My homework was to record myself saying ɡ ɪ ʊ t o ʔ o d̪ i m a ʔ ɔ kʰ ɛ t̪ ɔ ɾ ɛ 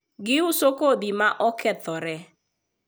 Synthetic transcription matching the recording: ɡ ɪ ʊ s o k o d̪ i m a ʔ ɔ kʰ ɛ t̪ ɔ ɾ ɛ